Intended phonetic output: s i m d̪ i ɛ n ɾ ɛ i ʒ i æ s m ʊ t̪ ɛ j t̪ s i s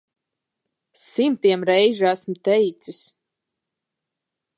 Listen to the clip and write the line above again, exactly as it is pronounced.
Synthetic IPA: s i m t̪ i ɛ m ɾ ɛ j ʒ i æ s m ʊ t̪ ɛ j t̪ s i s

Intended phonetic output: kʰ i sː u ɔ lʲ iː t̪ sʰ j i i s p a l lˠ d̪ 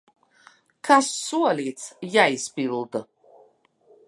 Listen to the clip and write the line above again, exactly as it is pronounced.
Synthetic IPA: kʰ a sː u ɔ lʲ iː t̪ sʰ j a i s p i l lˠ d̪

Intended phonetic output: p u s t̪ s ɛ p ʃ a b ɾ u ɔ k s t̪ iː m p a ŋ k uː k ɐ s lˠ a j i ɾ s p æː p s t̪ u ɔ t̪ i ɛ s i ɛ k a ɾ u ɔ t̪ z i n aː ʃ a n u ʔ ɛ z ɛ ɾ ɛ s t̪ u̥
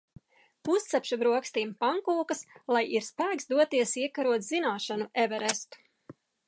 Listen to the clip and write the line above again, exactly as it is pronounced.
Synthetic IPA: p u s t̪ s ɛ p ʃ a b ɾ u ɔ k s t̪ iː m p a ŋ k uː k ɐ s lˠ a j i ɾ s p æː k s d̪ u ɔ t̪ i ɛ s i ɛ k a ɾ u ɔ t̪ z i n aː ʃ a n u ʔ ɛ v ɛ ɾ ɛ s t̪ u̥

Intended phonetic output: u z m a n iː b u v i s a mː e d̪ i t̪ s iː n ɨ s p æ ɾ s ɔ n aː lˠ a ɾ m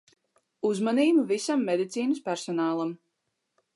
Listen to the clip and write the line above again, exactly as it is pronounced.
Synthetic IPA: u z m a n iː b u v i s a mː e d̪ i t̪ s iː n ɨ s p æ ɾ s ɔ n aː lˠ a m

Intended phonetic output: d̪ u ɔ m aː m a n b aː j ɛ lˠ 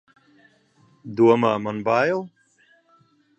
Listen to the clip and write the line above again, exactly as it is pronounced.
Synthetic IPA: d̪ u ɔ m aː m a n b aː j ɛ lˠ

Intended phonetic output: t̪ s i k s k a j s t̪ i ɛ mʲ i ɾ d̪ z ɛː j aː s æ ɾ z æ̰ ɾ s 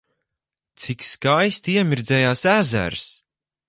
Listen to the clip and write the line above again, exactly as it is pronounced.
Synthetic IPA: t̪ s i k s k a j s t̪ i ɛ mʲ i ɾ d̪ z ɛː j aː s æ z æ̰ ɾ s

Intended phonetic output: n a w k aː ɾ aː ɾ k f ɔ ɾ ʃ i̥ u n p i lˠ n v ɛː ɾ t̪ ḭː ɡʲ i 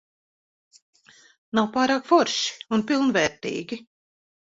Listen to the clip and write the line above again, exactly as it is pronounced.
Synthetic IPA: n a w p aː ɾ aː k f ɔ ɾ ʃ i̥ u n p i lˠ n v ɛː ɾ t̪ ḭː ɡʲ i

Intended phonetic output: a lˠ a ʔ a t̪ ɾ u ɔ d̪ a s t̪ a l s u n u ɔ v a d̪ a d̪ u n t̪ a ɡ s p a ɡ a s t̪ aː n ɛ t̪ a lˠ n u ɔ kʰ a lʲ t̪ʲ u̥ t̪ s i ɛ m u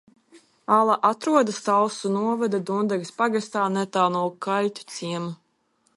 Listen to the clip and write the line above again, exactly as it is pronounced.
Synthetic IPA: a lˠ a ʔ a t̪ ɾ u ɔ d̪ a s t̪ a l s u n u ɔ v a d̪ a d̪ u n d̪ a ɡ s p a ɡ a s t̪ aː n ɛ t̪ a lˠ n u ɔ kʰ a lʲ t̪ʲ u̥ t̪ s i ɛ m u

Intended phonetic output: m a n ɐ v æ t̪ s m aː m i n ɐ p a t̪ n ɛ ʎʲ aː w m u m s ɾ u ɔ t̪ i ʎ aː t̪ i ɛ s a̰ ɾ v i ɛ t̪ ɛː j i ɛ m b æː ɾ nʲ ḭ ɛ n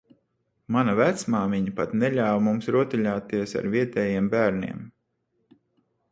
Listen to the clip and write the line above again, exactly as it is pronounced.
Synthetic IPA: m a n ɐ v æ t̪ s m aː m i ɲ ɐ p a t̪ n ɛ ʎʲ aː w m u m s ɾ u ɔ t̪ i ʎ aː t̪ i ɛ s a̰ ɾ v i ɛ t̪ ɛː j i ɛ m b æː ɾ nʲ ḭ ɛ m

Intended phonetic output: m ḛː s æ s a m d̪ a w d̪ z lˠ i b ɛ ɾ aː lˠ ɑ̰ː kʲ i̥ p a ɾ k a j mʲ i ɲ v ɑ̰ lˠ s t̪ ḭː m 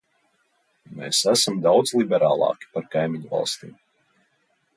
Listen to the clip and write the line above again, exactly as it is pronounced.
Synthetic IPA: m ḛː s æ s a m d̪ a w d̪ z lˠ i b ɛ ɾ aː lˠ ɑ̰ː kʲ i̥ p a ɾ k a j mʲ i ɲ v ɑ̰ lˠ s t̪ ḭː m

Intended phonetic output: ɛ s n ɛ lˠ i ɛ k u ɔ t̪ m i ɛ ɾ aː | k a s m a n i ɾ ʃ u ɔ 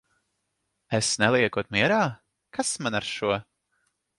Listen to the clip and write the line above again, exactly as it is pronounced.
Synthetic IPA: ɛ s n ɛ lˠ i ɛ k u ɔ t̪ m i ɛ ɾ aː | k a s m a n a ɾ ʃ u ɔ

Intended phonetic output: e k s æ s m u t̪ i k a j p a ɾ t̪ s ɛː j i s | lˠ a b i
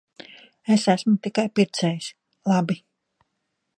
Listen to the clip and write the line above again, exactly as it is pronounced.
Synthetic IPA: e s æ s m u t̪ i k a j p i ɾ t̪ s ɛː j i s | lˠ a b i

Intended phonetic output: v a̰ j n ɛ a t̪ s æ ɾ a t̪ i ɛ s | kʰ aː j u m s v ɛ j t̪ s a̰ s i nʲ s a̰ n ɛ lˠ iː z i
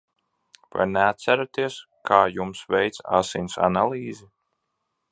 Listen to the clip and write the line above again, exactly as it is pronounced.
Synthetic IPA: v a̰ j n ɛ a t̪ s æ ɾ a t̪ i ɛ s | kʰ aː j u m s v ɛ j t̪ s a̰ s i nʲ s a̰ n a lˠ iː z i

